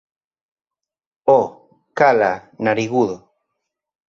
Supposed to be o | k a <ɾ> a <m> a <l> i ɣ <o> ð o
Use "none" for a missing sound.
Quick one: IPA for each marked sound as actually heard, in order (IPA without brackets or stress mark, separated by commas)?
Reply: l, n, ɾ, u